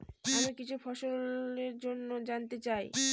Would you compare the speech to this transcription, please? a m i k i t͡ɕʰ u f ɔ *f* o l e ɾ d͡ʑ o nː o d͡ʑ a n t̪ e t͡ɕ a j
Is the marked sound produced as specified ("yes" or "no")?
no